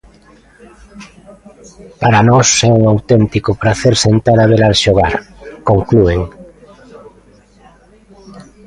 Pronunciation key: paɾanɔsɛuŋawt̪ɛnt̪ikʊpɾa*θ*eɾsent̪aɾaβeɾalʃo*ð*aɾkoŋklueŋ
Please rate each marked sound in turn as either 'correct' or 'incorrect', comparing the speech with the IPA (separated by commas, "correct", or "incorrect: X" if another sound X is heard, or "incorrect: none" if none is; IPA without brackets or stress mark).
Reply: correct, incorrect: ɣ